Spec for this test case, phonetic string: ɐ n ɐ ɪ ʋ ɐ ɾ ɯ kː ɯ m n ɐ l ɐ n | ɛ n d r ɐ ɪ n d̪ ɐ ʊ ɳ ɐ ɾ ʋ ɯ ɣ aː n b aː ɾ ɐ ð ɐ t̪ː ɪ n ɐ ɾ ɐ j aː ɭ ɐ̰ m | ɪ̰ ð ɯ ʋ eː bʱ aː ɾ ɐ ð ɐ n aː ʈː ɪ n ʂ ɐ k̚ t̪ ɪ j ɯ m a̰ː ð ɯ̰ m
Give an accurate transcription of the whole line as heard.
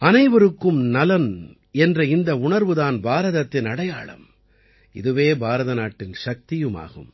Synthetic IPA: ɐ n ɐ ɪ ʋ ɐ ɾ ɯ kː ɯ m n ɐ l ɐ n | ɛ n d r ɐ ɪ n d̪ ɐ ʊ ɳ ɐ ɾ ʋ ɯ ð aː n b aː ɾ ɐ ð ɐ t̪ː ɪ n ɐ ɽ ɐ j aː ɭ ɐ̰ m | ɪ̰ ð ɯ ʋ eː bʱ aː ɾ ɐ ð ɐ n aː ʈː ɪ n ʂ ɐ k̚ t̪ ɪ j ɯ m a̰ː ɣ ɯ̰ m